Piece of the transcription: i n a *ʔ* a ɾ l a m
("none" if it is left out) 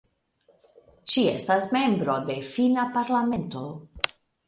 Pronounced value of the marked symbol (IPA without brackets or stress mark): p